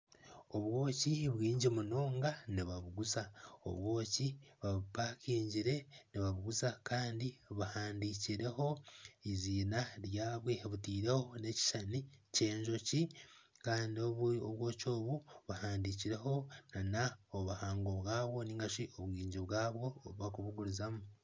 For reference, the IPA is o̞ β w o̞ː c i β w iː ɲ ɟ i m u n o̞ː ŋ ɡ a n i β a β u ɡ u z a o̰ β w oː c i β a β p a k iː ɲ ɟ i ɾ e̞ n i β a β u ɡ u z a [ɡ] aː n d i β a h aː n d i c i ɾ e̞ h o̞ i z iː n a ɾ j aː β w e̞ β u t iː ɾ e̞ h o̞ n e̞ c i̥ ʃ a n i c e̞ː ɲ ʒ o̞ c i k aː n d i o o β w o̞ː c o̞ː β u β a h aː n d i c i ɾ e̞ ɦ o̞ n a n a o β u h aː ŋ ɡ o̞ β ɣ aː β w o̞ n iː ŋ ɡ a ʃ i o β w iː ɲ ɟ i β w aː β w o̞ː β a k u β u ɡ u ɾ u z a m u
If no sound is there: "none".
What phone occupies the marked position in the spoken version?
k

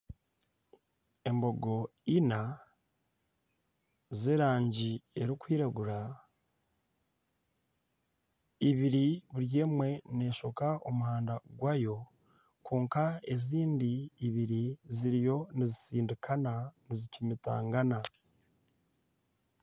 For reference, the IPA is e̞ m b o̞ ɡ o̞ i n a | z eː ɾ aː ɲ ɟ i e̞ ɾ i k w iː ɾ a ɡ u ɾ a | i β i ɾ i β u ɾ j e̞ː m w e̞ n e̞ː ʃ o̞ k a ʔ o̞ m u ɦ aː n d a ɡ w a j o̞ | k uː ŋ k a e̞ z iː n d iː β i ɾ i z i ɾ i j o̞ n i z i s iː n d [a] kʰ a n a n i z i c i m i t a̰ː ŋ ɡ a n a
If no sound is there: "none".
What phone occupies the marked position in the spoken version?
i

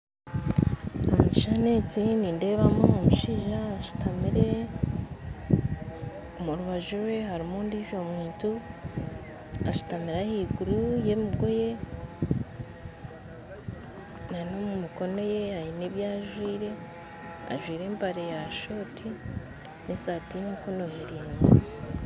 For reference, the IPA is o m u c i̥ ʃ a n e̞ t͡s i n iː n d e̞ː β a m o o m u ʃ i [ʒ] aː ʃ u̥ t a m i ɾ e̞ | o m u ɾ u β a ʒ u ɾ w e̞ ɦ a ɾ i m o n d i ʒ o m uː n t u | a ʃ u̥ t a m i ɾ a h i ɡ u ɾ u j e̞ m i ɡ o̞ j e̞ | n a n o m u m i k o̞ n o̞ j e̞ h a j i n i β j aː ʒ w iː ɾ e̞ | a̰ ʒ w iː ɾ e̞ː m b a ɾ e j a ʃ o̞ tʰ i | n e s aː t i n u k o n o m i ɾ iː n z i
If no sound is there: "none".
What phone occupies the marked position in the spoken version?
ʒ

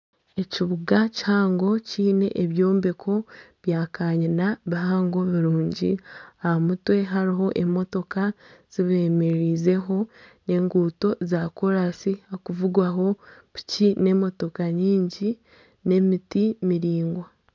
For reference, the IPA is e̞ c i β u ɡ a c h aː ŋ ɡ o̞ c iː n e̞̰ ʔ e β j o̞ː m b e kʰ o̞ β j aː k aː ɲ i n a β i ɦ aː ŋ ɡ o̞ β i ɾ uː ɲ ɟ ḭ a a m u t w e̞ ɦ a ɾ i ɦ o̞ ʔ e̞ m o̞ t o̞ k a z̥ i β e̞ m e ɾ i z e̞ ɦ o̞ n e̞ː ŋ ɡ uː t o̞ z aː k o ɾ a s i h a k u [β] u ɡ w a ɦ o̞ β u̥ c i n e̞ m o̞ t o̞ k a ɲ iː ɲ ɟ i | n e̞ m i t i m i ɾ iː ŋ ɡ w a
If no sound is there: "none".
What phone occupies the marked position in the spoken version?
v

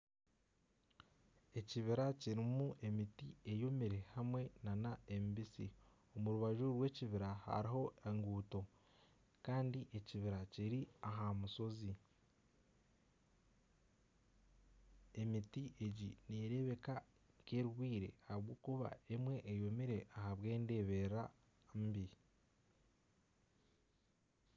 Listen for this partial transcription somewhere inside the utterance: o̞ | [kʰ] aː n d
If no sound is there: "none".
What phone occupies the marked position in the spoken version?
k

